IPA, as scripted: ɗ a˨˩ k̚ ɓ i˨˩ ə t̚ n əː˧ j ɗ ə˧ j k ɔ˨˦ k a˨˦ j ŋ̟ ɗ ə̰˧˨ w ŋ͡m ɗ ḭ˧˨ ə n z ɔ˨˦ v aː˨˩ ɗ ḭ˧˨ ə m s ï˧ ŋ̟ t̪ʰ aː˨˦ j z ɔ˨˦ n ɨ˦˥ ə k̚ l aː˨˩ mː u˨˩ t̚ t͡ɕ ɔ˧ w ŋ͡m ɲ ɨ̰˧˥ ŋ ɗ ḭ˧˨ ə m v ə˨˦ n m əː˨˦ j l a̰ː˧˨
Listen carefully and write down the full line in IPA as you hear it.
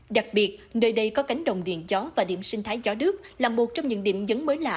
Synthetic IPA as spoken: ɗ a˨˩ k̚ ɓ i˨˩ ə t̚ n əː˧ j ɗ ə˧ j k ɔ˨˦ k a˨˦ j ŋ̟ ɗ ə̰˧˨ w ŋ͡m ɗ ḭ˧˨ ə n z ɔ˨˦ v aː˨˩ ɗ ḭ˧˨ ə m s ï˧ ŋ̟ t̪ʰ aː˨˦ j z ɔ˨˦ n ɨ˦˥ ə k̚ l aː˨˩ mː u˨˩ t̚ t͡ɕ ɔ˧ w ŋ͡m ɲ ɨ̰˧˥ ŋ ɗ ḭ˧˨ ə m z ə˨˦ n m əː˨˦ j l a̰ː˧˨